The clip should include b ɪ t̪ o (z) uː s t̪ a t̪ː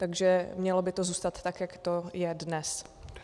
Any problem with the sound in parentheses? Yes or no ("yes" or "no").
no